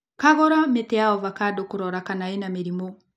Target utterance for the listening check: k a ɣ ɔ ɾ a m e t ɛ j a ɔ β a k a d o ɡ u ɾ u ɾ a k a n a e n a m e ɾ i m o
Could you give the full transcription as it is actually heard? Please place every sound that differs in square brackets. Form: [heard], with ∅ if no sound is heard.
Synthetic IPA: k a ɣ ɔ ɾ a m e t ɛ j a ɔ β a k a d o [k] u ɾ [ɔ] ɾ a k a n a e n a m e ɾ i m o

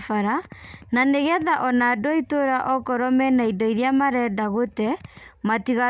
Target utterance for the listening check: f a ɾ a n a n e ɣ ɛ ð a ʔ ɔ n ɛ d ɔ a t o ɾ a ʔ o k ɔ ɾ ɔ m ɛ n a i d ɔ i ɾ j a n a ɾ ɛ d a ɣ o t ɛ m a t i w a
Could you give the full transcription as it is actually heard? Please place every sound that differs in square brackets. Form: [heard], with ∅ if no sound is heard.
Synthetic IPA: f a ɾ a n a n e ɣ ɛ ð a ʔ ɔ n [a] d ɔ [i] t o ɾ a ʔ [ɔ] k ɔ ɾ ɔ m ɛ n a i d ɔ i ɾ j a [m] a ɾ ɛ d a ɣ o t ɛ m a t i [ɣ] a

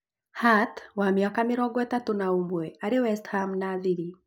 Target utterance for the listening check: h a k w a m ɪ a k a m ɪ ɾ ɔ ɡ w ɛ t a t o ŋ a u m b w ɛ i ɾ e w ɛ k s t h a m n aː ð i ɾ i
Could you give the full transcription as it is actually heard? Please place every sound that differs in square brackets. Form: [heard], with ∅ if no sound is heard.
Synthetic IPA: h a [t] w a m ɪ a k a m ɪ ɾ ɔ ɡ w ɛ t a t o [n] a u m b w ɛ [a] ɾ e w ɛ [∅] s t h a m n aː ð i ɾ i

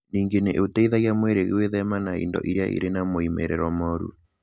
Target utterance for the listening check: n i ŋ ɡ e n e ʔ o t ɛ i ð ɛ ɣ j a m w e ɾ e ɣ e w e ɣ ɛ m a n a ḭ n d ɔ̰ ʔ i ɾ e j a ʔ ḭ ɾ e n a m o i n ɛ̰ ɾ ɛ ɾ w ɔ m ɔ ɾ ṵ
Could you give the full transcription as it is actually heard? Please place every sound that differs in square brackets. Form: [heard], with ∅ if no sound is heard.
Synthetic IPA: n i ŋ ɡ e n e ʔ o t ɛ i ð [a] ɣ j a m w e ɾ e ɣ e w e [ð] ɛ m a n a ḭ n d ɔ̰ ʔ i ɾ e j a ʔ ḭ ɾ e n a m o i [m] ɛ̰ ɾ ɛ ɾ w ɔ m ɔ ɾ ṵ

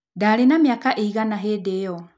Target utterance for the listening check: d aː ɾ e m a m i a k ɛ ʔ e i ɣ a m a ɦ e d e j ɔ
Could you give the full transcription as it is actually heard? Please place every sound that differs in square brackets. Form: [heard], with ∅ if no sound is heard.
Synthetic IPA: d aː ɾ e [n] a m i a k [a] ʔ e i ɣ a [n] a ɦ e d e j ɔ

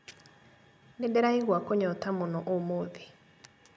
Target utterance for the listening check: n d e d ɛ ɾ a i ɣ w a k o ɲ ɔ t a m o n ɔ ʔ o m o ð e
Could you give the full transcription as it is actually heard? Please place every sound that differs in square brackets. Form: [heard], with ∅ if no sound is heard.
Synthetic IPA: n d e d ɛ ɾ a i ɣ w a k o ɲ ɔ t a m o n ɔ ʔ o m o ð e

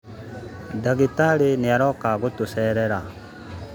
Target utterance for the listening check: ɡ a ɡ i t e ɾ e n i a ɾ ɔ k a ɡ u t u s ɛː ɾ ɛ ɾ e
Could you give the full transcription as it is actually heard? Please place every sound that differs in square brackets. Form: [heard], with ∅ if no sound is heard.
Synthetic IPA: [d] a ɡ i t [a] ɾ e n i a ɾ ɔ k a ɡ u t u s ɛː ɾ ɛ ɾ [a]

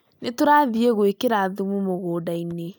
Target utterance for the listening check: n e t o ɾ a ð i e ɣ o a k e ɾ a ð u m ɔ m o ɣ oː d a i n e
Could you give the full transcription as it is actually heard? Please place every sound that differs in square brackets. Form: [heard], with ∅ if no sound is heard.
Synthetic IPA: n e t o ɾ a ð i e ɣ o [e] k e ɾ a ð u m [u] m o ɣ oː d a i n e

